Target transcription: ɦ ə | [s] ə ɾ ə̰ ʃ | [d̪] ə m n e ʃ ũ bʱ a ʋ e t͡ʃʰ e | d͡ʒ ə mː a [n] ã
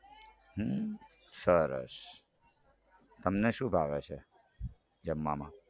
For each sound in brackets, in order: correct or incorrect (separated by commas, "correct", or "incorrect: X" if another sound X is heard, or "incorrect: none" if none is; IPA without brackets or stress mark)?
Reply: correct, incorrect: t̪, incorrect: m